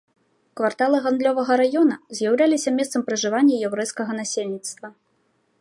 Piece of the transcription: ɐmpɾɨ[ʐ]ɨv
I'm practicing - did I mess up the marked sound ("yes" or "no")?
no